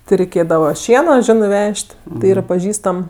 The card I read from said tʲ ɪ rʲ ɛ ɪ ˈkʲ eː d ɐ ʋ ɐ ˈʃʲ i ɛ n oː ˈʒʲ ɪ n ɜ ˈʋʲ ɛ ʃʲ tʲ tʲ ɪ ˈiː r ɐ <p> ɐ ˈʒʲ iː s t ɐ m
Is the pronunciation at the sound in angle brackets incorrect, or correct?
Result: correct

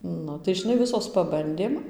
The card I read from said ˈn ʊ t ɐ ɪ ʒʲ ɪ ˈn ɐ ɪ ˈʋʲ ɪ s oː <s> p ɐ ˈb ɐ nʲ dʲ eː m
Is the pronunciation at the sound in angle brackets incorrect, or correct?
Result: correct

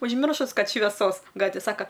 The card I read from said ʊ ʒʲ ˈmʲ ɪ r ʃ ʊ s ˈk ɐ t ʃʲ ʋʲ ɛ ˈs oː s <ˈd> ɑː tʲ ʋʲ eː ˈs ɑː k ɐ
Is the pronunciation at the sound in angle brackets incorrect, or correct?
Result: incorrect: ɡ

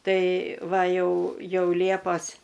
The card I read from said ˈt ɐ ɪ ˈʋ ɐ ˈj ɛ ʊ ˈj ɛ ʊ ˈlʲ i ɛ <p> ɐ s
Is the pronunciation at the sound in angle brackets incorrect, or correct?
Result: correct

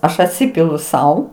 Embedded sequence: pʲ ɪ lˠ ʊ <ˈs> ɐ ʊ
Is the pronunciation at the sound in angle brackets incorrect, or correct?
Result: correct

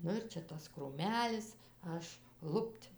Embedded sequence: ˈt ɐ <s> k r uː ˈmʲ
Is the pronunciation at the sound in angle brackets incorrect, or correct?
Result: correct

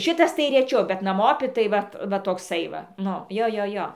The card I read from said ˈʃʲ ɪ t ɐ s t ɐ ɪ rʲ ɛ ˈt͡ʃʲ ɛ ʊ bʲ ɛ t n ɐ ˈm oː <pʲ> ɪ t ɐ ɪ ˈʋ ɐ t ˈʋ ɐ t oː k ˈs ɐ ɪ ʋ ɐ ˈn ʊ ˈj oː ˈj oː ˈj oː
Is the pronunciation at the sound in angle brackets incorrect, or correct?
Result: correct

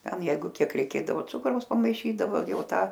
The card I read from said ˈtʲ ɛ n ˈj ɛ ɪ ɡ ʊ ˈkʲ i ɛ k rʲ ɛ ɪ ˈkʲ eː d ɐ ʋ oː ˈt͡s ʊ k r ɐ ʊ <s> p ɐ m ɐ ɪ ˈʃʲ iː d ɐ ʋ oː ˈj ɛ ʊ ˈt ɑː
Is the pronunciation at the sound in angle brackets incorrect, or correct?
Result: correct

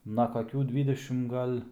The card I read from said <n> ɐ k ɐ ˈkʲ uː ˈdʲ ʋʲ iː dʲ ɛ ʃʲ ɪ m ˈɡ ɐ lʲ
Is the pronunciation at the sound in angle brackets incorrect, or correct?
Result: correct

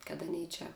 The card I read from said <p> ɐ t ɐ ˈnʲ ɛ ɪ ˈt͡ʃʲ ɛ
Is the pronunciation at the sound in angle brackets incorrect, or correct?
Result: incorrect: k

